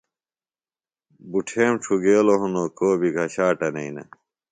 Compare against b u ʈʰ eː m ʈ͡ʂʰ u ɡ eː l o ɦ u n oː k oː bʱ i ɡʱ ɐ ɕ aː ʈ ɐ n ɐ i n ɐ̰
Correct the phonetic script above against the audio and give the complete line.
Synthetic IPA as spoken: b u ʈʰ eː m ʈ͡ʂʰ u ɡ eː l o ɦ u n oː k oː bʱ i ɡʱ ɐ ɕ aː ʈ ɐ n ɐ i n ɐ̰